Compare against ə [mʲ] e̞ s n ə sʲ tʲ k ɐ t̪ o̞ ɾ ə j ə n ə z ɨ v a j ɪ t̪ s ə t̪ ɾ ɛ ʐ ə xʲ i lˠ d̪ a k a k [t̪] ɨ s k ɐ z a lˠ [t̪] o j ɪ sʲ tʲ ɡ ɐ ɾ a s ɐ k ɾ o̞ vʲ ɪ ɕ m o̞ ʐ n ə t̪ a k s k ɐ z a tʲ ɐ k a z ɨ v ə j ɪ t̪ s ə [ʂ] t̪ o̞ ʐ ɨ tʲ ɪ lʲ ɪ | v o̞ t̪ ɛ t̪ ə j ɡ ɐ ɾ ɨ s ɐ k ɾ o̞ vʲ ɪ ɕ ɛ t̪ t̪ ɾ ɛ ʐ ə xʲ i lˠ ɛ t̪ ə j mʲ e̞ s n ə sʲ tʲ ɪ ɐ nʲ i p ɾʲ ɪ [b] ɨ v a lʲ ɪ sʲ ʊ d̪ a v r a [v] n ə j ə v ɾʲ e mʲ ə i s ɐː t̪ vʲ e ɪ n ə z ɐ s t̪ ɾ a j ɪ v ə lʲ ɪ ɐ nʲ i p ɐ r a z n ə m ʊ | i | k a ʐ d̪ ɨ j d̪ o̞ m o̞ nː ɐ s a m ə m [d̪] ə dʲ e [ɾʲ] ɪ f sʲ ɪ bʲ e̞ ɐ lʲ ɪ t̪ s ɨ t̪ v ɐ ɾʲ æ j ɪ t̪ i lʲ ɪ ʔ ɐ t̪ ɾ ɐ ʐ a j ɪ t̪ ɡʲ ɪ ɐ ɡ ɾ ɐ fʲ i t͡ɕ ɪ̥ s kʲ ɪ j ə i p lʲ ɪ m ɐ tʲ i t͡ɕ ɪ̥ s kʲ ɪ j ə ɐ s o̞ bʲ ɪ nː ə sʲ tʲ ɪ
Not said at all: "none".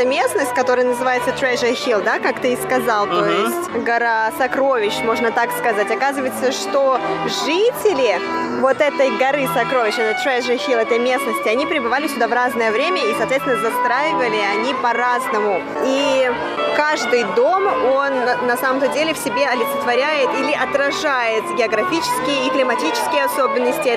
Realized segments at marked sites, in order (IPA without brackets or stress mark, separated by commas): mʲ, t̪, t̪, ʂ, b, z, t̪, lʲ